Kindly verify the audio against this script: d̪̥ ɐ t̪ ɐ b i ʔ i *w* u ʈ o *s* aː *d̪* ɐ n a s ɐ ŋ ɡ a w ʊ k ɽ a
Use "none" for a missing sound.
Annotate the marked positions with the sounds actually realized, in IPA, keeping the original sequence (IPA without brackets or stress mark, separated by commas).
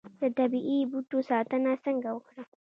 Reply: b, s, t̪